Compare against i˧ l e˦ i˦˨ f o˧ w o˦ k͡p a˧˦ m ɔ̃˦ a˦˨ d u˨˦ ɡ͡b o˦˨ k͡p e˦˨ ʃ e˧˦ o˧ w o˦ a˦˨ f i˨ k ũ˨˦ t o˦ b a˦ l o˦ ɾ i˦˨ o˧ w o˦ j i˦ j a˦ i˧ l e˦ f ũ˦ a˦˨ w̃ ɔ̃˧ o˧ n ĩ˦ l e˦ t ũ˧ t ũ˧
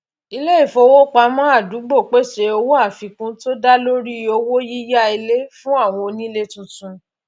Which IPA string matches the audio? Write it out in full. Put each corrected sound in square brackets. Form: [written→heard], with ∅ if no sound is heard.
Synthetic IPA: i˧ l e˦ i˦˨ f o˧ w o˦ k͡p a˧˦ m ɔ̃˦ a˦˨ d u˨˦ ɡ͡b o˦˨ k͡p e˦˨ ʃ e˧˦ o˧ w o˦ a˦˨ f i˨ k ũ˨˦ t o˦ [b→d] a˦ l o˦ ɾ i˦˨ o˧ w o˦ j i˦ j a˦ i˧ l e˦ f ũ˦ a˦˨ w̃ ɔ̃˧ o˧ n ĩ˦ l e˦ t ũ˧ t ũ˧